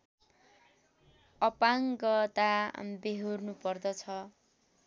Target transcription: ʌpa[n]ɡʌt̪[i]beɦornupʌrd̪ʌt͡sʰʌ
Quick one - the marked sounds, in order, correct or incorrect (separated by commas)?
incorrect, incorrect